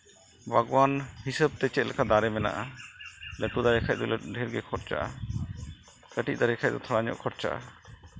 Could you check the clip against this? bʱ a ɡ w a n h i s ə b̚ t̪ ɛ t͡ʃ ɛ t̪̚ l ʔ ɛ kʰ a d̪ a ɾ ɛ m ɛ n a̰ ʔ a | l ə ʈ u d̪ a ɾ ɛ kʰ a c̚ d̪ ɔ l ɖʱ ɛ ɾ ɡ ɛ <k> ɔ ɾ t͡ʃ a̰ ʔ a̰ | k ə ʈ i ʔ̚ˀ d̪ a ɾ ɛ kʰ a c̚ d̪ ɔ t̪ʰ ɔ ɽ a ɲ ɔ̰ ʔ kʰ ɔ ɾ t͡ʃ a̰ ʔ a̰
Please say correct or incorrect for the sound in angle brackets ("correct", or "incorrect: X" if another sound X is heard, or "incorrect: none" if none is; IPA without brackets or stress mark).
incorrect: kʰ